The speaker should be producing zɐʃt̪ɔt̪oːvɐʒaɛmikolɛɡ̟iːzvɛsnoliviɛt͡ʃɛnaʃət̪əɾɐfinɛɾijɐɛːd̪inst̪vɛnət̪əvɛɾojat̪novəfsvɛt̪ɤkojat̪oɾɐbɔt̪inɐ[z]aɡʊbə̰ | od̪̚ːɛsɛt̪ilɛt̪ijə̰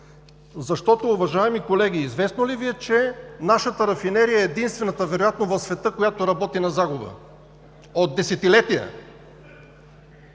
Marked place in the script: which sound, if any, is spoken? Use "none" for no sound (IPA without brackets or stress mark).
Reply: z